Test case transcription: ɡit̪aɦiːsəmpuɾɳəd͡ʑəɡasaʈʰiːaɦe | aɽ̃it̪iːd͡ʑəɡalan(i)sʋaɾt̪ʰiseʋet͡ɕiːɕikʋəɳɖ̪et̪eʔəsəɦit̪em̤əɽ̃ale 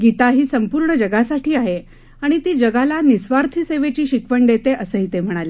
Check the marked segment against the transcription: correct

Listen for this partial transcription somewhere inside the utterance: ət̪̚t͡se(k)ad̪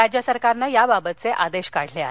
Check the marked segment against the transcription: incorrect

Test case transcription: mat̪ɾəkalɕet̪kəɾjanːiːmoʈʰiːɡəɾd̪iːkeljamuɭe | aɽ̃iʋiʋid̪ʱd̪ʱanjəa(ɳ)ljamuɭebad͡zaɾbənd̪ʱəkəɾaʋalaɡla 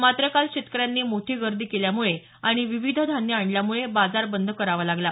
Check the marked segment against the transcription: correct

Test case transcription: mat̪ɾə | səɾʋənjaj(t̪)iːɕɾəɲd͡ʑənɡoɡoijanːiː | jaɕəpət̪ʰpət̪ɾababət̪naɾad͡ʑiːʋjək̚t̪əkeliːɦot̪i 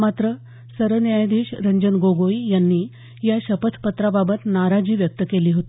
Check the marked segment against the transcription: incorrect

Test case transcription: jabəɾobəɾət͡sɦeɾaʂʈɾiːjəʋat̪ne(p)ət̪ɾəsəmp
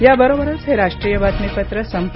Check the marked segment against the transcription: correct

